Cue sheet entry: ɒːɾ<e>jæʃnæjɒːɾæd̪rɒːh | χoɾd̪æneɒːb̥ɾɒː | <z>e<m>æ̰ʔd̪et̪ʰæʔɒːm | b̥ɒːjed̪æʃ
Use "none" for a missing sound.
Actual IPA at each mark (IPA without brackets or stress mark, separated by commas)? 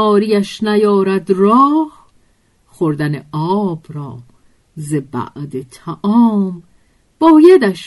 i, z, b